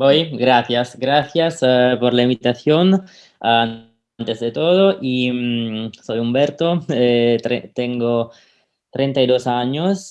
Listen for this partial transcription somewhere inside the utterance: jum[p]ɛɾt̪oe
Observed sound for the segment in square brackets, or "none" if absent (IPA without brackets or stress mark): b